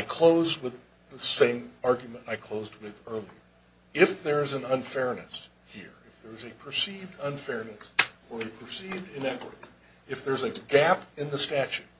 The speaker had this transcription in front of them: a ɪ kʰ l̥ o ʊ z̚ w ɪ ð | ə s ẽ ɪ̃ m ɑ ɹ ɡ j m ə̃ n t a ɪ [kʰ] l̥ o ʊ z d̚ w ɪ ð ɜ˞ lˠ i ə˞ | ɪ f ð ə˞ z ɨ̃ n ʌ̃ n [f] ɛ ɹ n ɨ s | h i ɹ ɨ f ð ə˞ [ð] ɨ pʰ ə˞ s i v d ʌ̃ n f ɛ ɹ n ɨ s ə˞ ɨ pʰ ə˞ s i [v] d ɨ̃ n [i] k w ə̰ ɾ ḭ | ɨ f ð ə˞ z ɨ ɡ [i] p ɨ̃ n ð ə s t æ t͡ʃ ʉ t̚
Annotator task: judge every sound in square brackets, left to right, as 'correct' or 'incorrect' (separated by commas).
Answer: correct, correct, incorrect, correct, incorrect, incorrect